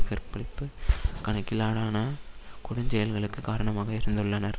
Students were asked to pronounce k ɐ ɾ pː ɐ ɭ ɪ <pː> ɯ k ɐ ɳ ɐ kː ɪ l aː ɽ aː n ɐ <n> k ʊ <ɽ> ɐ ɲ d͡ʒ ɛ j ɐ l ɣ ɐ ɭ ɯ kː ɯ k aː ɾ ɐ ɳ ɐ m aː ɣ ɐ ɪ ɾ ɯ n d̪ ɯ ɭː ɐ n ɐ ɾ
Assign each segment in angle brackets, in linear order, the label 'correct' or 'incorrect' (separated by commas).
correct, incorrect, correct